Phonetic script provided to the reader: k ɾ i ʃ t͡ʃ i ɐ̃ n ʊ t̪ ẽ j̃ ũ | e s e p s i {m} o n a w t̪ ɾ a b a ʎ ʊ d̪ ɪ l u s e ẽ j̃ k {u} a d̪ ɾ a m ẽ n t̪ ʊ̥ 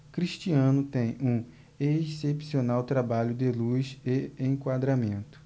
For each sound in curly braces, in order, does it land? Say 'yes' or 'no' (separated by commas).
no, no